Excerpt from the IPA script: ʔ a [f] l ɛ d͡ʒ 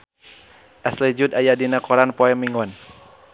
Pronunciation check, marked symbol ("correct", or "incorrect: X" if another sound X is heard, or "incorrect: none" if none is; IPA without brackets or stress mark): incorrect: s